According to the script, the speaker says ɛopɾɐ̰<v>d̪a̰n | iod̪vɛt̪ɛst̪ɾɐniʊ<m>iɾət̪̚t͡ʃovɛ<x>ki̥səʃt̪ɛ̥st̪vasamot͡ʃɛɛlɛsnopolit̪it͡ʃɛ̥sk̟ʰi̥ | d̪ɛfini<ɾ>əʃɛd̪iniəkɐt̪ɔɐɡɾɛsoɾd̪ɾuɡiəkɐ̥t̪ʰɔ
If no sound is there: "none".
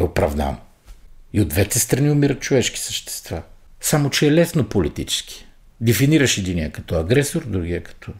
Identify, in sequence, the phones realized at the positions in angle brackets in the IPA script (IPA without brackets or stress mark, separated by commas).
v, m, ʃ, ɾ